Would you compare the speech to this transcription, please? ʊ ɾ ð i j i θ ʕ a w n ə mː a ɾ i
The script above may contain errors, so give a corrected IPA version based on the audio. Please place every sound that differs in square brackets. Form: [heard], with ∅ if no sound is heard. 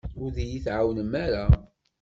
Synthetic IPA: ʊ ɾ ð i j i θ ʕ a w n ə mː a ɾ [a]